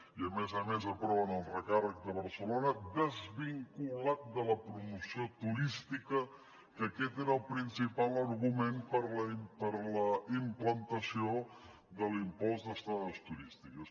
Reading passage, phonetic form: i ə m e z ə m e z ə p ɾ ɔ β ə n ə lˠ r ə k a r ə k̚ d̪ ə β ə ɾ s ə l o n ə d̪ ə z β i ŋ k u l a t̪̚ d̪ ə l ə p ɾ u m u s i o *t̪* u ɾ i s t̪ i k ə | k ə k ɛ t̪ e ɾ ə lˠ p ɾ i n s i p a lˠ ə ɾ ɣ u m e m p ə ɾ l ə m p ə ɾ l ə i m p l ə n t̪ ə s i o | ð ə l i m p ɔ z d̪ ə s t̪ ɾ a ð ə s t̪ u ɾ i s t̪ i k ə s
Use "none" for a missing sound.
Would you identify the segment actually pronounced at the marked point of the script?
t̪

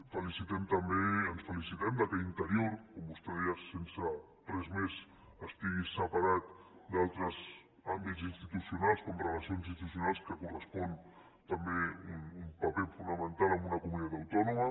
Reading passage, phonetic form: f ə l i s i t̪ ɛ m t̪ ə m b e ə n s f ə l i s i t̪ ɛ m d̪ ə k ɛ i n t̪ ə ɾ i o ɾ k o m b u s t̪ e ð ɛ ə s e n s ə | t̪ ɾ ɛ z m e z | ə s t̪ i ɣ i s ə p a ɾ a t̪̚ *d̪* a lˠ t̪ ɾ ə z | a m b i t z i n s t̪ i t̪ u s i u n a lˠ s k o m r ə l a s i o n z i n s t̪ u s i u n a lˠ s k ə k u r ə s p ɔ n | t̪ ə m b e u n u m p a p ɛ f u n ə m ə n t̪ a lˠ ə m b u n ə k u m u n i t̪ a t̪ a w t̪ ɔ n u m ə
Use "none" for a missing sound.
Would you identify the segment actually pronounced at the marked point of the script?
d̪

